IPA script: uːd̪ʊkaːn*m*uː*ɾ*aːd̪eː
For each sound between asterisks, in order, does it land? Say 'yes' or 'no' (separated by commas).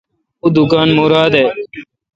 yes, yes